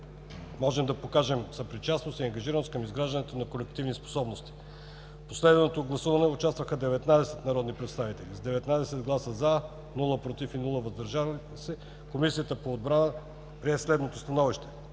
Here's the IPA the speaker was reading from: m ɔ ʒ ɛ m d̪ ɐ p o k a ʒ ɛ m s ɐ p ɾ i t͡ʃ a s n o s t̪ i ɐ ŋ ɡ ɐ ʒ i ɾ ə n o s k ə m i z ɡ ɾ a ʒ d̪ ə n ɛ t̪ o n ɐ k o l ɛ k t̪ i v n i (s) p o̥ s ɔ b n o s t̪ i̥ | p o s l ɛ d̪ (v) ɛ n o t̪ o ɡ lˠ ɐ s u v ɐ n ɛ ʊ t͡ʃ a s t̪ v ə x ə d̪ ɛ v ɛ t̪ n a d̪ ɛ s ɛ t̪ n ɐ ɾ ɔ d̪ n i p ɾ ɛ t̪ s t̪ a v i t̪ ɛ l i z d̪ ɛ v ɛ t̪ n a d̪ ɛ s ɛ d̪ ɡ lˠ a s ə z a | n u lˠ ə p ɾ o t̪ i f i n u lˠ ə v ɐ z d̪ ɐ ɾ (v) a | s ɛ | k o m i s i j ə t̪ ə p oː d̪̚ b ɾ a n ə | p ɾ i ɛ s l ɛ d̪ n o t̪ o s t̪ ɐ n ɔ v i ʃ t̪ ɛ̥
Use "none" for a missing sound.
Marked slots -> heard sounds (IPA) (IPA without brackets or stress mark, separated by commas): s, v, ʒ